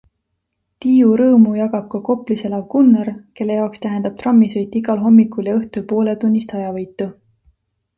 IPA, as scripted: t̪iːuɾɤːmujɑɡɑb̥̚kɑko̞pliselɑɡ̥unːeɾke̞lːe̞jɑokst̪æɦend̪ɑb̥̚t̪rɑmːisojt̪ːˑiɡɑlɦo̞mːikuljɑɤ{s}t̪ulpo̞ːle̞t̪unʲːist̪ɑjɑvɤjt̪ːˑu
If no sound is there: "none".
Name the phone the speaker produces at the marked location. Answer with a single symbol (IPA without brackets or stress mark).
h